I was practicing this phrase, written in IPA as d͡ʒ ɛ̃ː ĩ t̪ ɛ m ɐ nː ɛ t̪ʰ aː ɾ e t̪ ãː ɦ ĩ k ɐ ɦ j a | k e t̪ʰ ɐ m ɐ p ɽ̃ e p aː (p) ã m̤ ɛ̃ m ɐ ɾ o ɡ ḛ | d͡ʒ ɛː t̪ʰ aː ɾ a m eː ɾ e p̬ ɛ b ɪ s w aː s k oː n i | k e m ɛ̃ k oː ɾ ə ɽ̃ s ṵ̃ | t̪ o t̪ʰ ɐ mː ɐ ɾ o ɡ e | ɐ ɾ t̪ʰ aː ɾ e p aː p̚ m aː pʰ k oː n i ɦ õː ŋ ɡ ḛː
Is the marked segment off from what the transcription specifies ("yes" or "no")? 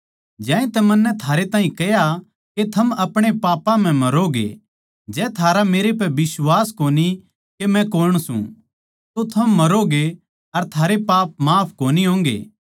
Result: no